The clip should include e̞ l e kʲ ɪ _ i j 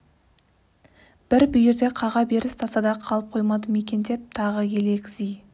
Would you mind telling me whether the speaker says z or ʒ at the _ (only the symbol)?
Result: z